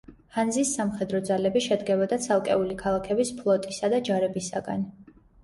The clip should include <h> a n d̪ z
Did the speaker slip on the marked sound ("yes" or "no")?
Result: no